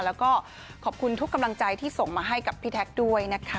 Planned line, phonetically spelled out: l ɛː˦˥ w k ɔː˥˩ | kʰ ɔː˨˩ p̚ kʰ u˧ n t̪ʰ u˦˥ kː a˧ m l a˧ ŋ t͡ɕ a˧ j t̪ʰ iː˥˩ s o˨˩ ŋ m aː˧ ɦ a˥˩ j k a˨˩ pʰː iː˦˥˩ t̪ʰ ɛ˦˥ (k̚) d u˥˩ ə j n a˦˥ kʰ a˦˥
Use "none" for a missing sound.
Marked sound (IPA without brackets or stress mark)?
k̚